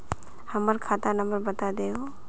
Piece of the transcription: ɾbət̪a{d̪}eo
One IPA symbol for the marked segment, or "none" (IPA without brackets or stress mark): d̪